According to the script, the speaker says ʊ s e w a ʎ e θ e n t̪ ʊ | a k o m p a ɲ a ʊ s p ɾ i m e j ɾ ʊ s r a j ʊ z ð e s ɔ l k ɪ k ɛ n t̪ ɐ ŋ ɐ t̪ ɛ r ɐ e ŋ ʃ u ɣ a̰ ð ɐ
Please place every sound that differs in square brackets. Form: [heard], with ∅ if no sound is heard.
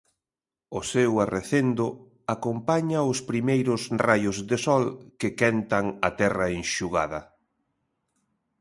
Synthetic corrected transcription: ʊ s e w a [r] e θ e n [d̪] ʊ | a k o m p a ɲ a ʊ s p ɾ i m e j ɾ ʊ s r a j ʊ z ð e s ɔ l k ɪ k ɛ n t̪ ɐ ŋ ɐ t̪ ɛ r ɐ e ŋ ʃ u ɣ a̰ ð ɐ